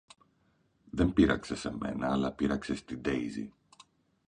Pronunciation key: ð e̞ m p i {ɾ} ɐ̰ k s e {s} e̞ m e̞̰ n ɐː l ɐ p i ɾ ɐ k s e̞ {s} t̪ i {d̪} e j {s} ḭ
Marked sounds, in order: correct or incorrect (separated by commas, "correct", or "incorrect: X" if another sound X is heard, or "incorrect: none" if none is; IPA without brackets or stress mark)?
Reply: correct, correct, correct, correct, incorrect: z